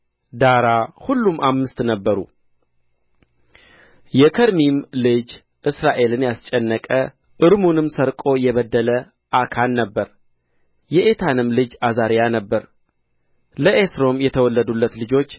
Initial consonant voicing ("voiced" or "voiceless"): voiced